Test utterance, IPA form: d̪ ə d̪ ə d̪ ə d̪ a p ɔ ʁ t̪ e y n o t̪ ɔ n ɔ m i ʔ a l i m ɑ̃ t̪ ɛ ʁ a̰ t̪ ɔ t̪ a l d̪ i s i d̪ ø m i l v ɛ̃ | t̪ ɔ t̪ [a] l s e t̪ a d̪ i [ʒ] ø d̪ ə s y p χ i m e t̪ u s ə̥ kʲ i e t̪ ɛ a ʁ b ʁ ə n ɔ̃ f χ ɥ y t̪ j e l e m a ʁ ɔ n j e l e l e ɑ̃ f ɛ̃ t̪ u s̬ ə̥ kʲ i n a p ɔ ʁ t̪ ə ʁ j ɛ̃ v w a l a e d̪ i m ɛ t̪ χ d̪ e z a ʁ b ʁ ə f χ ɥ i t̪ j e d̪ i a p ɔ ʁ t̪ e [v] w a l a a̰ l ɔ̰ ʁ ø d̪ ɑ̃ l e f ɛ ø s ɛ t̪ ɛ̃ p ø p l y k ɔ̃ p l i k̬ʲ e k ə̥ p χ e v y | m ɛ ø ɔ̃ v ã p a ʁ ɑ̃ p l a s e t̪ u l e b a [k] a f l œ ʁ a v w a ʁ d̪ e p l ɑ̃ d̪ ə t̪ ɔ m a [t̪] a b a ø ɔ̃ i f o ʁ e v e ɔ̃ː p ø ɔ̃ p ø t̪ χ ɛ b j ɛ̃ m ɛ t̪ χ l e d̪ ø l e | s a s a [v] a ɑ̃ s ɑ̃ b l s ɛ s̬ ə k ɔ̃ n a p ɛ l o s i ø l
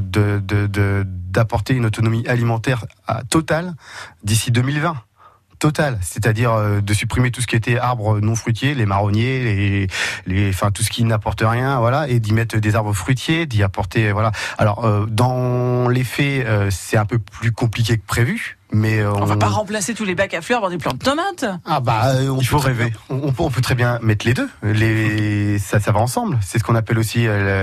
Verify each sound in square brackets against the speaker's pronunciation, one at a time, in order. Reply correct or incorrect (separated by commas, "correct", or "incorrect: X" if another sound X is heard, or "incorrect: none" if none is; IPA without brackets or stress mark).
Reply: correct, incorrect: ʁ, correct, correct, correct, correct